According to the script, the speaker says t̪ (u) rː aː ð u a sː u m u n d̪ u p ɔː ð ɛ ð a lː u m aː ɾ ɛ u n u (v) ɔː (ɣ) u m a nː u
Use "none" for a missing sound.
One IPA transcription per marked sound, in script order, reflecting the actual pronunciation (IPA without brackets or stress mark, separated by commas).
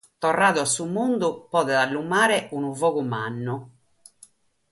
ɔ, v, ɣ